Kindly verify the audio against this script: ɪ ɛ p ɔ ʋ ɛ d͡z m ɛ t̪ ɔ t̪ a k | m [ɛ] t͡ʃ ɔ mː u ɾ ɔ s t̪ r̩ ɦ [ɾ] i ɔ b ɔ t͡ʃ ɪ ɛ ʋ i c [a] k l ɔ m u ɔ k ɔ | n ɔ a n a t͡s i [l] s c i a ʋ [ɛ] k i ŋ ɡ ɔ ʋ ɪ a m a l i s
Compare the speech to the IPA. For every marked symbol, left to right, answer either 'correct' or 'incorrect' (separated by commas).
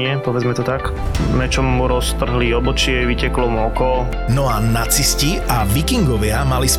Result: correct, incorrect, incorrect, incorrect, incorrect